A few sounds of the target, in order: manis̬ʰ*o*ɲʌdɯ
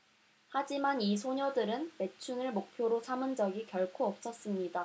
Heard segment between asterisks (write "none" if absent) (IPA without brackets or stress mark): o